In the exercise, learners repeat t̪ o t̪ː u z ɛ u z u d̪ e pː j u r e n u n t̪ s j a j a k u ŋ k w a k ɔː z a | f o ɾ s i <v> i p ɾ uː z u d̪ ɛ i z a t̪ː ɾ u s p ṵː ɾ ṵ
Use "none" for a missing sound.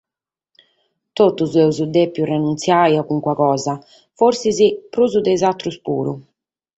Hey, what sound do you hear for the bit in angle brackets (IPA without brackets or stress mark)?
z